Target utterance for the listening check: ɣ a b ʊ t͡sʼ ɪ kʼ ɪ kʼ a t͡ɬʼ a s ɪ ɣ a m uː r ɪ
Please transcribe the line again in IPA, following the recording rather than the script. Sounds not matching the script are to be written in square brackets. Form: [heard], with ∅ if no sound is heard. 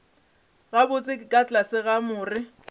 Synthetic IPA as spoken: ɣ a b ʊ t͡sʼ ɪ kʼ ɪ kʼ a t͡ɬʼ a s ɪ ɣ a m [ʊː] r ɪ